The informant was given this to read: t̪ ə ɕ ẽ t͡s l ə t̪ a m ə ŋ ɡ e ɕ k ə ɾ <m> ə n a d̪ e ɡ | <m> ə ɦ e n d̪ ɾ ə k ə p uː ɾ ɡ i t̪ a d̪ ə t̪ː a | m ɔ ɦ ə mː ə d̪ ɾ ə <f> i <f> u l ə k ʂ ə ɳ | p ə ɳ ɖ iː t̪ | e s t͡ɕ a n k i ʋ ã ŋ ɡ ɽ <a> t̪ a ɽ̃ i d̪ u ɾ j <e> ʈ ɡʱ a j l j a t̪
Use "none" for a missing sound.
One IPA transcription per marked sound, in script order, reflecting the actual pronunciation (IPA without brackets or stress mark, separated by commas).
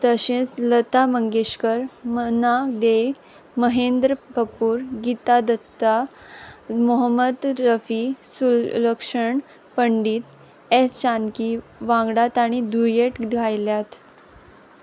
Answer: m, m, f, s, a, e